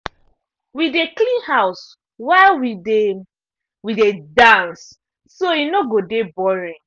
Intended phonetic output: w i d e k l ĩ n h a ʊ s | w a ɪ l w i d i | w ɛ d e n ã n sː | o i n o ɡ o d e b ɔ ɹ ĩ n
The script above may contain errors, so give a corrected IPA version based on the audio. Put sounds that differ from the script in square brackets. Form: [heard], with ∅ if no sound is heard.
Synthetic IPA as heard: w i d e k l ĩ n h a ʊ s | w a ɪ l w i d [e] | w [i] d e [d] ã n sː | o i n o ɡ o d e b ɔ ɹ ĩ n